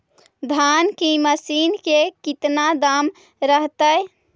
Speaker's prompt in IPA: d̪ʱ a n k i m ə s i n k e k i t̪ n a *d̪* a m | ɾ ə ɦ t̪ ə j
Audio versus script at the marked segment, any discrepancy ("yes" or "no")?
no